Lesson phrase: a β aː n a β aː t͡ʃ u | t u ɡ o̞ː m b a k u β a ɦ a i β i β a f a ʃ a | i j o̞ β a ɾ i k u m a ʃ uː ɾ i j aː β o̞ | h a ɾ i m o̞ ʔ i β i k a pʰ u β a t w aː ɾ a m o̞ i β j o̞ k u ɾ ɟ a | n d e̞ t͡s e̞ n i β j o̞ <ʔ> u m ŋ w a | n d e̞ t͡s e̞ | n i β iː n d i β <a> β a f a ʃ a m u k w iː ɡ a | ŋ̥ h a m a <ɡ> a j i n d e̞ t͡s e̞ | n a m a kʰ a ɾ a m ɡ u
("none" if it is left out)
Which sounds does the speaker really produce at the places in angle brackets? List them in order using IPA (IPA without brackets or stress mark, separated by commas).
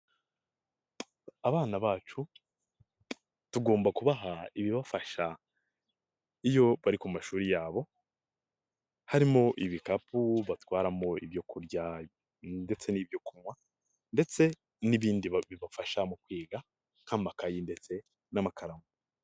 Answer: k, i, k